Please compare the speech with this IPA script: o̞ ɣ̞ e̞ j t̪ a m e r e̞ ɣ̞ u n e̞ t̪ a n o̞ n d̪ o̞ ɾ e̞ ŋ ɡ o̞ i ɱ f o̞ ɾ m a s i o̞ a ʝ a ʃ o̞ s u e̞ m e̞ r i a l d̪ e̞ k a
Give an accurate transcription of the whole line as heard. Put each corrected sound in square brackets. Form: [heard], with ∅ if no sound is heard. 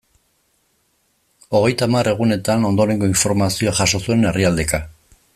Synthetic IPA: o̞ ɣ̞ e̞ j t̪ a m [a] r e̞ ɣ̞ u n e̞ t̪ a n o̞ n d̪ o̞ ɾ e̞ ŋ ɡ o̞ i ɱ f o̞ ɾ m a s i o̞ a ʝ a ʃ o̞ s u e̞ [n] e̞ r i a l d̪ e̞ k a